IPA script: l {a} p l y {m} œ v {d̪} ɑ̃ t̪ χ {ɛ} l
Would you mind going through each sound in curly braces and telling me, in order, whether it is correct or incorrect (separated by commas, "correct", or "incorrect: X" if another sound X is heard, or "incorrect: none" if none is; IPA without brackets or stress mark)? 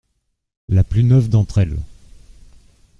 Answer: correct, incorrect: n, correct, correct